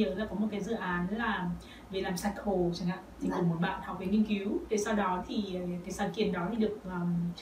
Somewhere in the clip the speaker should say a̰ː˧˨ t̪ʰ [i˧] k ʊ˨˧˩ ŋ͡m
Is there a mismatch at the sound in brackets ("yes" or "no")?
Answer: yes